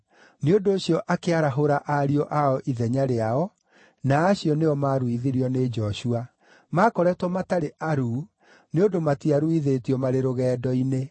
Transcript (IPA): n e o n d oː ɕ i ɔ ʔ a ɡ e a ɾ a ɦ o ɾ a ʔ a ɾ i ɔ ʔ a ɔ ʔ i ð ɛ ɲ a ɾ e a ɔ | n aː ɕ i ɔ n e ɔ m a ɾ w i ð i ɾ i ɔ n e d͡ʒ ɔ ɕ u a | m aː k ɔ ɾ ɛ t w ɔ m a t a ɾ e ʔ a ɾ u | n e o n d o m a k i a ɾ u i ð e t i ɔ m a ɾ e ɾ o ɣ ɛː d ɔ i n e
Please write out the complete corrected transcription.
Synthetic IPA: n e o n d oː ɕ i ɔ ʔ a k e a ɾ a ɦ o ɾ a ʔ a ɾ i ɔ ʔ a ɔ ʔ i ð ɛ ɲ a ɾ e a ɔ | n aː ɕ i ɔ n e ɔ m a ɾ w i ð i ɾ i ɔ n e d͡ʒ ɔ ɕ u a | m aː k ɔ ɾ ɛ t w ɔ m a t a ɾ e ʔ a ɾ u | n e o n d o m a t i a ɾ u i ð e t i ɔ m a ɾ e ɾ o ɣ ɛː d ɔ i n e